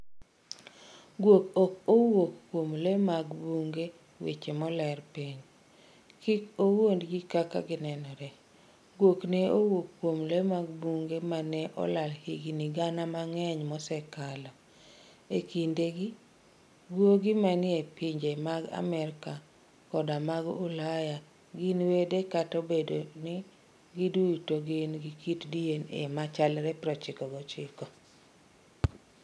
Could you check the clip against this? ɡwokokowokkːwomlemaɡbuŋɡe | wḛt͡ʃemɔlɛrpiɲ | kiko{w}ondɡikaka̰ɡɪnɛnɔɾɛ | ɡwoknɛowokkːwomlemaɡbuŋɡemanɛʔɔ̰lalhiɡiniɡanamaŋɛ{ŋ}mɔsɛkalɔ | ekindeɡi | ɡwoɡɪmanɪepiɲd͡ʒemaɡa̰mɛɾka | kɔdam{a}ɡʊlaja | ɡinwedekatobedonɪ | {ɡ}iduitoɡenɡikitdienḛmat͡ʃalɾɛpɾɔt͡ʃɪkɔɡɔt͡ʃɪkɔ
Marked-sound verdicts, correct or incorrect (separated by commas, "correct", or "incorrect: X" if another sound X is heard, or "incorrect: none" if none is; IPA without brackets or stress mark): correct, incorrect: ɲ, correct, correct